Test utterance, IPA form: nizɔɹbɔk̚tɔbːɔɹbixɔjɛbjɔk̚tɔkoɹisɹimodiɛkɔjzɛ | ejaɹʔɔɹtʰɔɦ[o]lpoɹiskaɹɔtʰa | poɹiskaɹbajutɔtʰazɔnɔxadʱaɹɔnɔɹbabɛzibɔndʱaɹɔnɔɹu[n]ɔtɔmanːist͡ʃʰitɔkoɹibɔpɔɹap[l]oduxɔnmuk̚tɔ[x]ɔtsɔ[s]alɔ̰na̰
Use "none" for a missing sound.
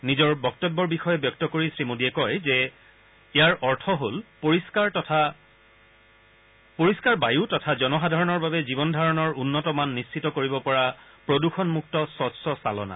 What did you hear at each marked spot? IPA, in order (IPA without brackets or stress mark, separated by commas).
o, nː, ɹ, s, s